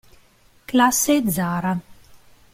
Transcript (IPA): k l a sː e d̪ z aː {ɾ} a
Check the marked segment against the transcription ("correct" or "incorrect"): correct